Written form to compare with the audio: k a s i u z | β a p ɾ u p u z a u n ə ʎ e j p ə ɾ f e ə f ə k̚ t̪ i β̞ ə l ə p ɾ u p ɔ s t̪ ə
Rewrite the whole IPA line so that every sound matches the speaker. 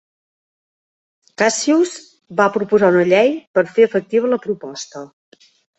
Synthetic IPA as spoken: k a s i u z | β a p ɾ u p u z a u n ə ʎ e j p ə ɾ f e ə f ə k̚ t̪ i β̞ ə l ə p ɾ u p ɔ s t̪ ə